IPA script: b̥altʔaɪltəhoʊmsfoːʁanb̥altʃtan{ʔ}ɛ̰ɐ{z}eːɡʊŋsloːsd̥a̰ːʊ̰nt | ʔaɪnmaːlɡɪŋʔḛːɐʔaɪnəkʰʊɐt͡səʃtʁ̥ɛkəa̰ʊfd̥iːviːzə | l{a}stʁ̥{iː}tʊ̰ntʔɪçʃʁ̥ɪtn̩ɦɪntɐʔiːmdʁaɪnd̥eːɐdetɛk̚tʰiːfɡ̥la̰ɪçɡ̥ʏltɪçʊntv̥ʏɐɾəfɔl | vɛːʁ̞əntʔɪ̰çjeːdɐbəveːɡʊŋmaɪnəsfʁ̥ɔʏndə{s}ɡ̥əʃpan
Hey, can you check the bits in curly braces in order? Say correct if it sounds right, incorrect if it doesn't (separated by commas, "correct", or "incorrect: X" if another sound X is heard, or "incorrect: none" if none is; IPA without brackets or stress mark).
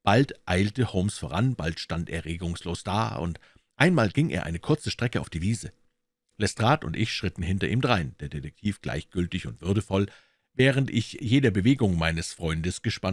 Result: incorrect: t, incorrect: ʁ, incorrect: ɛ, incorrect: aː, correct